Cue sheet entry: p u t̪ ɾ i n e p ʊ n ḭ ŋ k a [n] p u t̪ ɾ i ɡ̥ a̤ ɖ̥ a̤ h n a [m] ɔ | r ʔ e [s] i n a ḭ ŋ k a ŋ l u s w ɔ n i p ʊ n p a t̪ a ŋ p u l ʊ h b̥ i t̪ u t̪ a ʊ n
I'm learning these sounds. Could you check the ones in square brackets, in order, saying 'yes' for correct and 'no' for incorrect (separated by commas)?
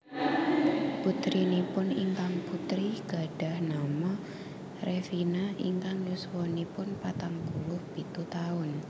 no, yes, no